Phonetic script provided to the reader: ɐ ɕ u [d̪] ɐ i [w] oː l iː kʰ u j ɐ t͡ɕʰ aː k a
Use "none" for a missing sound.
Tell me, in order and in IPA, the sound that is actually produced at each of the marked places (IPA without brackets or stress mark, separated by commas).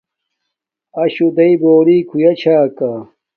d̪, b